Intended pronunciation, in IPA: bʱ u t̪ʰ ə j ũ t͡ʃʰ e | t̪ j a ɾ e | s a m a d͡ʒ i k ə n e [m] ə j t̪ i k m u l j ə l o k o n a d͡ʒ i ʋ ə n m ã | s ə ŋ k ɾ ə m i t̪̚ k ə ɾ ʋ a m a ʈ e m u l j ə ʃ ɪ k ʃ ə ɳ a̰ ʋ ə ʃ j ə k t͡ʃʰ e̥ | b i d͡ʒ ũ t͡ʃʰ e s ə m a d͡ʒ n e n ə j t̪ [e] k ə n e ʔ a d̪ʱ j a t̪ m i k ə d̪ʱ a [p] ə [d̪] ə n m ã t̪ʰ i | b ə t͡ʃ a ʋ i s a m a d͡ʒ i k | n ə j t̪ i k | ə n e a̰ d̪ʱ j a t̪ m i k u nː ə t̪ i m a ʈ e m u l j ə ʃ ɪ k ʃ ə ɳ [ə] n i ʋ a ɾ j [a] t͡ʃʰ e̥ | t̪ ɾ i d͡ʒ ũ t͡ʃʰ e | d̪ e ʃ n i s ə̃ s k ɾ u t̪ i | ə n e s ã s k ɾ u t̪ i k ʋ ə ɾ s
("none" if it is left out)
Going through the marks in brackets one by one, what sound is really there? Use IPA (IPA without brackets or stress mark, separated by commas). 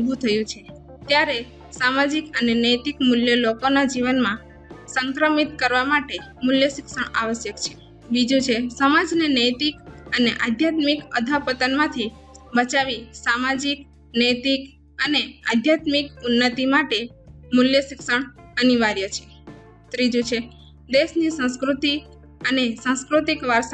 n, i, p, t̪, ə, ə